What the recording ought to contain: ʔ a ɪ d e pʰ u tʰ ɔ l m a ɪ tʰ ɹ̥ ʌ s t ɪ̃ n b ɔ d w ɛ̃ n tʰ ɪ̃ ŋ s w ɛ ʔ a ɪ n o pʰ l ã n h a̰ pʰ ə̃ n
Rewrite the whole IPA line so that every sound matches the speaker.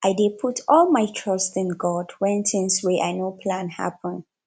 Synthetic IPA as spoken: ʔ a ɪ d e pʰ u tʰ ɔ l m a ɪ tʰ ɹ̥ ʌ s t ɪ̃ n ɡ ɔ d w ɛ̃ n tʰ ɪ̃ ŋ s w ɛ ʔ a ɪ n o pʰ l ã n h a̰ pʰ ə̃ n